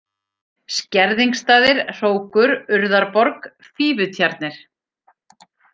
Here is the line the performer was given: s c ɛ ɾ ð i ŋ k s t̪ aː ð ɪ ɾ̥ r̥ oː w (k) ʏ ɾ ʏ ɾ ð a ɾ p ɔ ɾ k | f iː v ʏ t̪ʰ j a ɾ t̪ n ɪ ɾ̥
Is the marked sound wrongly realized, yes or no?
no